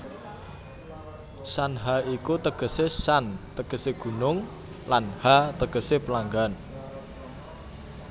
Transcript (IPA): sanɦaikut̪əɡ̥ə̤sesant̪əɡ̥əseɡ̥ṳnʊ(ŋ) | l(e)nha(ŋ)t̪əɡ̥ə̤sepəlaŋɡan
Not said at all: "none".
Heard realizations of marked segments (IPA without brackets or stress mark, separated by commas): ŋ, a, none